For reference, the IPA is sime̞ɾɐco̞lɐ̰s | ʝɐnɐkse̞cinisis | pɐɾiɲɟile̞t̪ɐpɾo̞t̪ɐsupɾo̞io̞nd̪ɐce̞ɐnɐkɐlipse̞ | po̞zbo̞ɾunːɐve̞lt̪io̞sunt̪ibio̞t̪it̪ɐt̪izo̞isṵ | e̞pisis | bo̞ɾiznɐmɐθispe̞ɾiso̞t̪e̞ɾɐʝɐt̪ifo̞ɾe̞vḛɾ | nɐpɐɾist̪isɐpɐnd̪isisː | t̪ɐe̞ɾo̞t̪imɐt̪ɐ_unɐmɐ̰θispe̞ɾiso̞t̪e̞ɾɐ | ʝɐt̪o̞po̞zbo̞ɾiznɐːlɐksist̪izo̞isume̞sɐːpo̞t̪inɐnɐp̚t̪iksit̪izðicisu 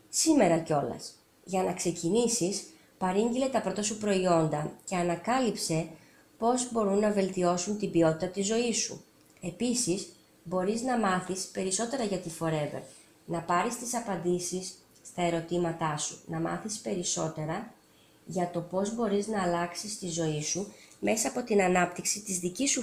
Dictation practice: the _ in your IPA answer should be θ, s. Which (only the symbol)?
s